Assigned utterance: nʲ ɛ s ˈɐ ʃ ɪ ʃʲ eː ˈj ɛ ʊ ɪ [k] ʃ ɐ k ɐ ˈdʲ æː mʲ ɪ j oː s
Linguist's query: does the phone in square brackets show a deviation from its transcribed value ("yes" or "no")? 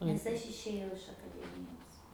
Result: yes